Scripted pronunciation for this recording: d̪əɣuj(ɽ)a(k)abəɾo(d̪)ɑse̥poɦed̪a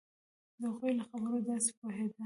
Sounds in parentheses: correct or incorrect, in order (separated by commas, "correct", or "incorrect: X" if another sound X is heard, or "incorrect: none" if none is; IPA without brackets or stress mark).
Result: incorrect: l, incorrect: x, correct